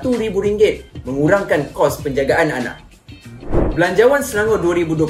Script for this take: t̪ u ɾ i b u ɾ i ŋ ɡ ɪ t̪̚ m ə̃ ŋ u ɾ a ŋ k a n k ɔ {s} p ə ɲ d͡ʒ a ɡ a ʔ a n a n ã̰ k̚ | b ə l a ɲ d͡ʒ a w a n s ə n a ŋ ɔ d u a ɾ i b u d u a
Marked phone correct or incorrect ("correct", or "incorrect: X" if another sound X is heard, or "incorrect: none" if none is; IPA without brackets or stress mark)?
correct